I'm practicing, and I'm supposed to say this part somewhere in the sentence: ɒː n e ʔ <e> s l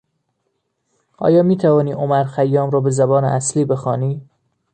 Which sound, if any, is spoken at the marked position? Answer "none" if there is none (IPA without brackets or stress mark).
æ